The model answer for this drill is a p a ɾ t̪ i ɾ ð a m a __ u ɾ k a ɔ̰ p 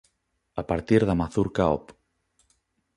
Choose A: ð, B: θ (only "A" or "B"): B